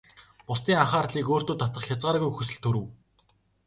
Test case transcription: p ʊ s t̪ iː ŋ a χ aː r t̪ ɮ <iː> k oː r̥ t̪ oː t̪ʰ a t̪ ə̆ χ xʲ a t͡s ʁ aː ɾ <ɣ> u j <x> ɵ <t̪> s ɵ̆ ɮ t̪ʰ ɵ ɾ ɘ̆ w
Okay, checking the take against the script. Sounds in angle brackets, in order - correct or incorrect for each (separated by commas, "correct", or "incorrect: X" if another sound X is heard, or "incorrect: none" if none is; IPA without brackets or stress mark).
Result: correct, correct, correct, incorrect: none